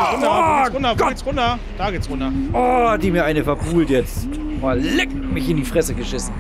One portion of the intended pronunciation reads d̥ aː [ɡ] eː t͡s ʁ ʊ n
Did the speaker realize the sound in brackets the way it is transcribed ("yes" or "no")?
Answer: yes